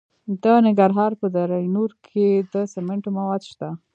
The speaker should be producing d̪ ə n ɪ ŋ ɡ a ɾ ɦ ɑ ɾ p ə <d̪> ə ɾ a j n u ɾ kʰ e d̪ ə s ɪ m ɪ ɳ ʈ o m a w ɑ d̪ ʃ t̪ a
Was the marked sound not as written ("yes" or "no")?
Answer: no